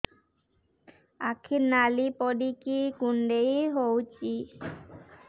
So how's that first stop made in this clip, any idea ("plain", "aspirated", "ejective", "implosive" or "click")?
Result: aspirated